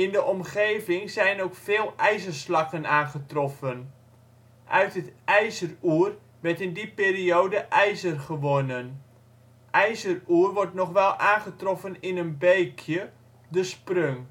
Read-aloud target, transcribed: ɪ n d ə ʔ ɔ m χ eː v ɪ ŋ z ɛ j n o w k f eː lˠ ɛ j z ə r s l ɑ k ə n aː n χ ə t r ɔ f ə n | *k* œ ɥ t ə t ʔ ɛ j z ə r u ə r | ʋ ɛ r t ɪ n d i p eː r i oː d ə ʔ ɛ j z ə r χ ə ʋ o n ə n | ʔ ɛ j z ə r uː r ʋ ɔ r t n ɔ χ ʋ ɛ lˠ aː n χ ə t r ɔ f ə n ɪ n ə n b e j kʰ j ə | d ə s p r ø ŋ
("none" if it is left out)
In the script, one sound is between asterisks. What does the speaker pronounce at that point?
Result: ʔ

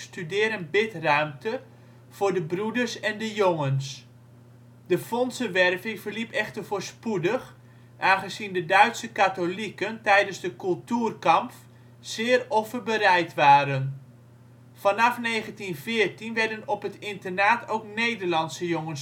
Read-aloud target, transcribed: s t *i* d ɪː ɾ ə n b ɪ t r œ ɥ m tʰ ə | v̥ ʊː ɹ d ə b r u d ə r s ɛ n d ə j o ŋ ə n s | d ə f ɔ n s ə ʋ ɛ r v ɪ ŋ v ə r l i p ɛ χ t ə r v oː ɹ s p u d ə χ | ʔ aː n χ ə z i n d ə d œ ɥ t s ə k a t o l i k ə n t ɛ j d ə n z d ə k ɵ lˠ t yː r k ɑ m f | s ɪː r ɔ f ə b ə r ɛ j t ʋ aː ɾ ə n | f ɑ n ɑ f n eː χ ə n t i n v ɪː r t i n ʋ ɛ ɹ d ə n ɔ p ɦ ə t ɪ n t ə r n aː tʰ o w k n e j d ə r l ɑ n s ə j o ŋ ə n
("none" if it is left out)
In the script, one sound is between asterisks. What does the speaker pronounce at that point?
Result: y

